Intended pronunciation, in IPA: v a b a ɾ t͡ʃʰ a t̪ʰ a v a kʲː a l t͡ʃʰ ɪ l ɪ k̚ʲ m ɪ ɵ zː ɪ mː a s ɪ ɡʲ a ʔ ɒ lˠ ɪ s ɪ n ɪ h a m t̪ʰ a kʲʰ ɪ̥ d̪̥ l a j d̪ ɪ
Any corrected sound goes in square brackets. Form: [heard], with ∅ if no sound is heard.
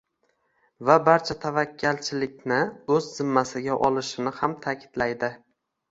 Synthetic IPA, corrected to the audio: v a b a ɾ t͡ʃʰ a t̪ʰ a v a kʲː a l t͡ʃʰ ɪ l ɪ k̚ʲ [n] ɪ ɵ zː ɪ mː a s ɪ ɡʲ a ʔ ɒ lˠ ɪ [ʃ] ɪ n ɪ h a m t̪ʰ a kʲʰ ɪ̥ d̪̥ l a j d̪ ɪ